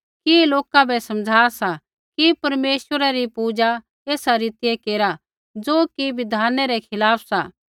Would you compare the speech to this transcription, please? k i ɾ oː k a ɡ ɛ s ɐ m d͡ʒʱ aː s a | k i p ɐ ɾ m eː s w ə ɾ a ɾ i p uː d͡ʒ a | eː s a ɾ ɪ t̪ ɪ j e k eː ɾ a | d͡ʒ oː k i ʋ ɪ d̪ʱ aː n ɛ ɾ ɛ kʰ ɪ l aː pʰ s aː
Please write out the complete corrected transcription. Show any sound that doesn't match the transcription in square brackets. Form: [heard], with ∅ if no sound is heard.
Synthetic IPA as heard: k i [l] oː k a [b] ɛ s ɐ m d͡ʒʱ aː s a | k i p ɐ ɾ m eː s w ə ɾ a ɾ i p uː d͡ʒ a | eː s a ɾ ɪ t̪ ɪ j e k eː ɾ a | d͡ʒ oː k i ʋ ɪ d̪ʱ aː n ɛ ɾ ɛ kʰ ɪ l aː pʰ s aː